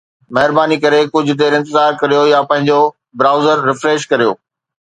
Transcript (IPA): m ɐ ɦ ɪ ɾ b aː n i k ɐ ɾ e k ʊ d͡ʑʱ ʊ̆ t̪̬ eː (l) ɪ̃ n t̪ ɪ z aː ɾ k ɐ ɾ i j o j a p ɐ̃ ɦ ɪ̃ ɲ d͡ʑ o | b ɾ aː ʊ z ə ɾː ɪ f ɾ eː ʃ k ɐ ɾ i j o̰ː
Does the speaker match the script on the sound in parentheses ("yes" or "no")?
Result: no